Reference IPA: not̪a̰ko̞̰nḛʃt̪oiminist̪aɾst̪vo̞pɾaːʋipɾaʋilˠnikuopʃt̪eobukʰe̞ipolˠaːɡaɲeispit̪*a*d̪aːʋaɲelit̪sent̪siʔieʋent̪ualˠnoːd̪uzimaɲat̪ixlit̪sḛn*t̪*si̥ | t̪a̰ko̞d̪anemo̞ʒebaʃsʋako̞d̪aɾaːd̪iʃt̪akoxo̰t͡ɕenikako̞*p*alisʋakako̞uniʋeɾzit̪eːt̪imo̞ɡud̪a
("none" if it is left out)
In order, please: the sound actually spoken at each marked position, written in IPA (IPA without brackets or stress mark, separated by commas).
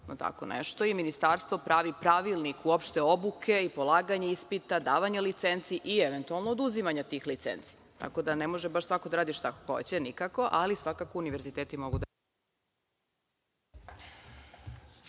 a, t̪, ʔ